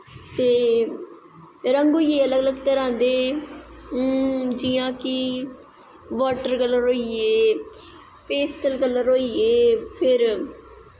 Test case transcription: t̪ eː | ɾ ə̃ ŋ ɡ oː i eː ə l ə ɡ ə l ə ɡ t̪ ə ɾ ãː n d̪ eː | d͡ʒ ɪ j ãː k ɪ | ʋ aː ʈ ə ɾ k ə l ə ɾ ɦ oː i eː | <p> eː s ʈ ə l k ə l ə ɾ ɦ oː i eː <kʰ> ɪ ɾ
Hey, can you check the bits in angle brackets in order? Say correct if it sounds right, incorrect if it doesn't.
correct, incorrect: pʰ

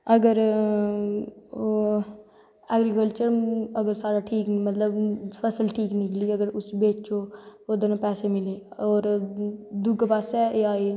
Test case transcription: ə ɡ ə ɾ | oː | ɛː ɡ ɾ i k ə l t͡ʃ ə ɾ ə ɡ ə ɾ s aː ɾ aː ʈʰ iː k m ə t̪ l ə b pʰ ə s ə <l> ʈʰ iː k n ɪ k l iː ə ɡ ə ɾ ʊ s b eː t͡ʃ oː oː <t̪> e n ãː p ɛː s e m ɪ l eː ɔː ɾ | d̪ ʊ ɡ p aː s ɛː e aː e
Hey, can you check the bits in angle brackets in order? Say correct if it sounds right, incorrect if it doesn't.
correct, incorrect: d̪

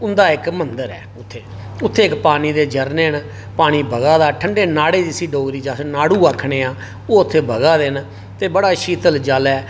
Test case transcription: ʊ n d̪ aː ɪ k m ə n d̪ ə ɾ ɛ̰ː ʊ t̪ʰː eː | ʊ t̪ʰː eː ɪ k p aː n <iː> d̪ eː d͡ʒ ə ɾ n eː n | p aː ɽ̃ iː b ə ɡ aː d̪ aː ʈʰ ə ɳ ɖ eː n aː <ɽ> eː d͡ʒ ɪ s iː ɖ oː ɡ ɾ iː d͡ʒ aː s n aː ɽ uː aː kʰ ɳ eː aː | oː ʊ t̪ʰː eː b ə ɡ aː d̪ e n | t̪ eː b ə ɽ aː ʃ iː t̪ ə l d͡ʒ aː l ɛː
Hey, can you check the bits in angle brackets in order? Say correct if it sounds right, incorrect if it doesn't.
correct, correct

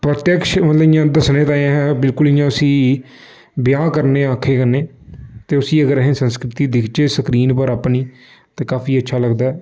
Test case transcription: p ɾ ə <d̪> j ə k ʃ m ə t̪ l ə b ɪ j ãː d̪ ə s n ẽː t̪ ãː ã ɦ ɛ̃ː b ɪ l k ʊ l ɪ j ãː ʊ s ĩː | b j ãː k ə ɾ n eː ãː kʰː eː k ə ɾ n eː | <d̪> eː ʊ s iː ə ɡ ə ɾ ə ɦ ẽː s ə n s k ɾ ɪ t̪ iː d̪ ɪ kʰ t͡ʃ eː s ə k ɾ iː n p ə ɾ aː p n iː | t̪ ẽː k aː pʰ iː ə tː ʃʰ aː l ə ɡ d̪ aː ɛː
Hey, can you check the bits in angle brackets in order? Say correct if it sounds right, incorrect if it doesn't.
incorrect: t̪, incorrect: t̪

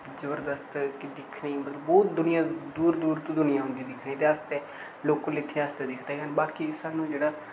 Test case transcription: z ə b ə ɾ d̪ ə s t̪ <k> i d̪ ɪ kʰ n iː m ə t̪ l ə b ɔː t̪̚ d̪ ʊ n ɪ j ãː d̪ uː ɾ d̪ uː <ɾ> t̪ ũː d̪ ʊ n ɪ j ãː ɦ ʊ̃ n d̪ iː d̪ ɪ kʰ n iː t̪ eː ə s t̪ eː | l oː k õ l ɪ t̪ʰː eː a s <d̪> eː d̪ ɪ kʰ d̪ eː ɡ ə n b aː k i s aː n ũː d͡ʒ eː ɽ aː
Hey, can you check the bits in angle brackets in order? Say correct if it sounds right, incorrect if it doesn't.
correct, correct, incorrect: t̪

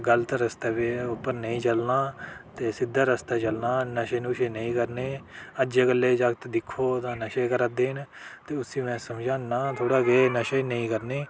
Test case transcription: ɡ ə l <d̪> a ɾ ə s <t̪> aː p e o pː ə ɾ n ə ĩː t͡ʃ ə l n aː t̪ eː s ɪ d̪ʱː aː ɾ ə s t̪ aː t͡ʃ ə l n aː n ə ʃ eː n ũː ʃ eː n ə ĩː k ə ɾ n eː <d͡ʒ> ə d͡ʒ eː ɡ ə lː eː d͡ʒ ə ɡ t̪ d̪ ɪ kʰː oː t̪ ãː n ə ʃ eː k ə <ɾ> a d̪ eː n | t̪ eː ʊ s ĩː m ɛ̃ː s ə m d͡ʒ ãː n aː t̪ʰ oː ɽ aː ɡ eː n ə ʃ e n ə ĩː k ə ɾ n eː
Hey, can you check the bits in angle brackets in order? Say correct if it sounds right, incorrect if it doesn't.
incorrect: t̪, correct, incorrect: none, correct

